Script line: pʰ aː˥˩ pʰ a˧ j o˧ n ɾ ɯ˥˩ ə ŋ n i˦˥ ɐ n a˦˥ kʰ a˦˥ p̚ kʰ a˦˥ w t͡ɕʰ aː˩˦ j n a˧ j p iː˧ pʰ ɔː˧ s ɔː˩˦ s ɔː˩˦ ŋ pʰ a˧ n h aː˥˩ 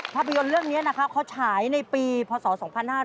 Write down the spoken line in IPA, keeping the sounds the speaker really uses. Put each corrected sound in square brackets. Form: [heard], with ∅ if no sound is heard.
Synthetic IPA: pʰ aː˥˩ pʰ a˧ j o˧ n ɾ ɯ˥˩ ə ŋ n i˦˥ ɐ n a˦˥ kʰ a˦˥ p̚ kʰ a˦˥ w t͡ɕʰ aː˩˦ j n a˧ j p iː˧ pʰ ɔː˧ s ɔː˩˦ s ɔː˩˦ ŋ pʰ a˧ n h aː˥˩